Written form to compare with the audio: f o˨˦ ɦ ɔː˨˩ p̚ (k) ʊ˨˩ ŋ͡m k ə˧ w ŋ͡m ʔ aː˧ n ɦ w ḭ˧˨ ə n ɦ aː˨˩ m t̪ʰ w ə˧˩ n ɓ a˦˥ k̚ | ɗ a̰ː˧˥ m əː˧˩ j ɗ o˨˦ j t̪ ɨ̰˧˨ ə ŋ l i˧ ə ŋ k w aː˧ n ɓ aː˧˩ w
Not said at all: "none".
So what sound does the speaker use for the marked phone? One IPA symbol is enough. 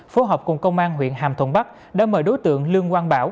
k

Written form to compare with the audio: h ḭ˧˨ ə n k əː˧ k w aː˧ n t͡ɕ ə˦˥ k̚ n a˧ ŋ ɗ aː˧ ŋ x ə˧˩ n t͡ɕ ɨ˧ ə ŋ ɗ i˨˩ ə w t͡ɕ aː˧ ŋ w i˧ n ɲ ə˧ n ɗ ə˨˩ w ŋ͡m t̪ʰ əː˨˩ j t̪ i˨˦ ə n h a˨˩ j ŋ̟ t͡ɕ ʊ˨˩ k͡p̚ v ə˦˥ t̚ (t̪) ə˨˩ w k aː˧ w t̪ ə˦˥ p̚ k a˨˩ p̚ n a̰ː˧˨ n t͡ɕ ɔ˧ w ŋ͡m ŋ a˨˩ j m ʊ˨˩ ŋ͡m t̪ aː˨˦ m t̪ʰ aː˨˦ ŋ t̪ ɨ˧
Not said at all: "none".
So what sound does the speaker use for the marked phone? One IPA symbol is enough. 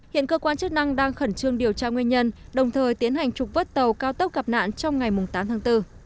t̪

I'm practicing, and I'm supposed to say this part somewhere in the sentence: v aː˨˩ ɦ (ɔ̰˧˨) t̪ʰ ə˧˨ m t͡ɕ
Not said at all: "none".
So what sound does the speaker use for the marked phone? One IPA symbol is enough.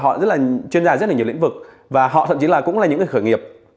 ɔ̰˧˨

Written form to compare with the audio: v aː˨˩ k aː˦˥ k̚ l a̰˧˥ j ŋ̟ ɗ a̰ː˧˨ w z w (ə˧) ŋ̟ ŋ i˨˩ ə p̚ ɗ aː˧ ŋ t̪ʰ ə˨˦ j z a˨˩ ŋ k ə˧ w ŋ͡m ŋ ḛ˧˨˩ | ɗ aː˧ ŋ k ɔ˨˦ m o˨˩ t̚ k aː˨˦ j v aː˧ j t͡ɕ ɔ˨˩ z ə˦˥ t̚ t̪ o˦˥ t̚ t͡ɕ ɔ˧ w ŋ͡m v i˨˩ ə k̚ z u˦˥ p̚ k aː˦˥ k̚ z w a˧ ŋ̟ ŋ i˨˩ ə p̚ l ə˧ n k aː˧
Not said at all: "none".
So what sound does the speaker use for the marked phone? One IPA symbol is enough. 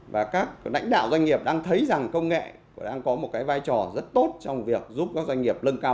a˧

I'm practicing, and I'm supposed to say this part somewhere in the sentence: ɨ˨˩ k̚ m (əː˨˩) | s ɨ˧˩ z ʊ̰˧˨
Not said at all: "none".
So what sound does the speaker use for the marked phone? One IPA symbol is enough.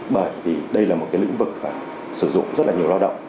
aː˨˩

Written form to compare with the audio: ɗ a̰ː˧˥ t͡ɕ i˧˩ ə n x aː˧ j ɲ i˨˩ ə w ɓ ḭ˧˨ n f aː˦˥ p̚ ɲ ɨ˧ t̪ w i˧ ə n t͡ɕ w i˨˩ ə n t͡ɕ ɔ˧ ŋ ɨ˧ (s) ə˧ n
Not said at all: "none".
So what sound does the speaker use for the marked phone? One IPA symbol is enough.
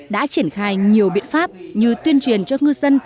z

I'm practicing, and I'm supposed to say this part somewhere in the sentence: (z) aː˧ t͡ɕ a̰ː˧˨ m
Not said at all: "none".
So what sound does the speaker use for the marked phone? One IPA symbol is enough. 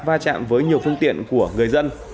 v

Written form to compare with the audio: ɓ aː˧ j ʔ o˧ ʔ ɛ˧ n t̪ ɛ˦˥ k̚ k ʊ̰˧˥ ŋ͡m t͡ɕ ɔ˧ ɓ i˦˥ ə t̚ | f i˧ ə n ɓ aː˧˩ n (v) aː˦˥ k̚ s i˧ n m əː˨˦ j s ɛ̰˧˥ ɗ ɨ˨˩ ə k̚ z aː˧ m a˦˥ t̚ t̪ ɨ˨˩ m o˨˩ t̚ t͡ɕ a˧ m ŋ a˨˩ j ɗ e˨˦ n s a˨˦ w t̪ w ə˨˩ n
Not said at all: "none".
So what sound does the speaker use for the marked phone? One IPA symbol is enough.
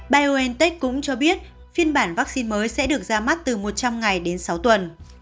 v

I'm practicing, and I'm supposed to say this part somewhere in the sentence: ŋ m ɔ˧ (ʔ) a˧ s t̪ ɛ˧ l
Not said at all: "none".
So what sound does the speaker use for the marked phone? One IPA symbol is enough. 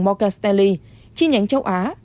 k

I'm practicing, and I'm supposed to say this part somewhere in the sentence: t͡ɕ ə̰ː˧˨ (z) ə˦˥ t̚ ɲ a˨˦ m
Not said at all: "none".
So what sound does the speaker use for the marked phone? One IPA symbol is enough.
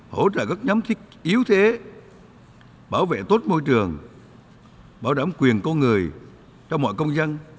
ɣ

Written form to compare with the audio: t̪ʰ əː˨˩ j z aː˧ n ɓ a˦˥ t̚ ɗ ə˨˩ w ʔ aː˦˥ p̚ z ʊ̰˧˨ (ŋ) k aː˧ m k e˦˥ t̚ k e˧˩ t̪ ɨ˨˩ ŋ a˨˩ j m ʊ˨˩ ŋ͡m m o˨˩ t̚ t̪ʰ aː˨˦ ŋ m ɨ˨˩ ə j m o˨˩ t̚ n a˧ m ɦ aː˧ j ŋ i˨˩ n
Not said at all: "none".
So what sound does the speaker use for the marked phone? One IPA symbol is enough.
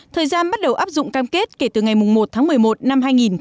ŋ͡m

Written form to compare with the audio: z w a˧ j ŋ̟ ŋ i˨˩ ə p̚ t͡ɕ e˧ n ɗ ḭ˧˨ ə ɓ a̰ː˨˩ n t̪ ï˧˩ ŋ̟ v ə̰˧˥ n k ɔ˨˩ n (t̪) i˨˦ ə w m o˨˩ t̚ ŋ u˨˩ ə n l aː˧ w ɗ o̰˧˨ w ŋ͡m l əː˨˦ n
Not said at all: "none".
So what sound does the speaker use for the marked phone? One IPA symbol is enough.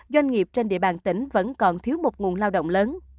t̪ʰ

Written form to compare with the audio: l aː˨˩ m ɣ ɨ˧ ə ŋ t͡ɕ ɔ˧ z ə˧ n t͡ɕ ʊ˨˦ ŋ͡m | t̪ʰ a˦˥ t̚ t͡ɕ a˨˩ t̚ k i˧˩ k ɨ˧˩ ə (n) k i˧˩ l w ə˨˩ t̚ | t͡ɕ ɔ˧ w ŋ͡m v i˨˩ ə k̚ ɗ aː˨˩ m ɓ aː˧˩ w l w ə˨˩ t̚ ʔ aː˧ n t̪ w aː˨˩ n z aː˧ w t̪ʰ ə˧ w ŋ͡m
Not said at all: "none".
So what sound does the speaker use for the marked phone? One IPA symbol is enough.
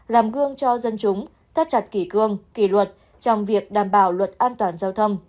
ŋ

